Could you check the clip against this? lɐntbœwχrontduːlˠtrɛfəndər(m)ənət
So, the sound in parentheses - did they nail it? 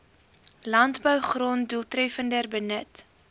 no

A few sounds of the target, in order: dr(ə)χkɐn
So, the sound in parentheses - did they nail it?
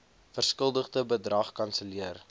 no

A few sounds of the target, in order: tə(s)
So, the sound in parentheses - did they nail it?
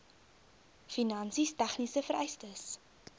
yes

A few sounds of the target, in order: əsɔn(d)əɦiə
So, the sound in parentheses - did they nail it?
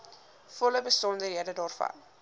yes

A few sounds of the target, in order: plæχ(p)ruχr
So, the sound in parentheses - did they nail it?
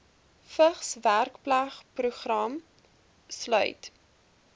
yes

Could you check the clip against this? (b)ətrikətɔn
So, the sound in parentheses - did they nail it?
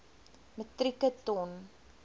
no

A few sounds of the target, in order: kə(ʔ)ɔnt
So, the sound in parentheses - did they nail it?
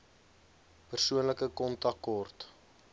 no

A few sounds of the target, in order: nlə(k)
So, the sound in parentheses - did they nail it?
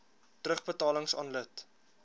no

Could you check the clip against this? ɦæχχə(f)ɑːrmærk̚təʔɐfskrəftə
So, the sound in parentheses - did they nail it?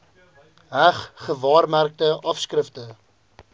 no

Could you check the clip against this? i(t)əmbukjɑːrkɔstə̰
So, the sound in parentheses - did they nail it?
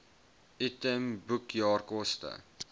yes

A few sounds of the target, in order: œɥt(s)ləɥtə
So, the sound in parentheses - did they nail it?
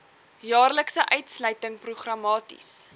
yes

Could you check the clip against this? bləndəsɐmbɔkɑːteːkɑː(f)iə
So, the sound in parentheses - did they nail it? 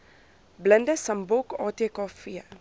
yes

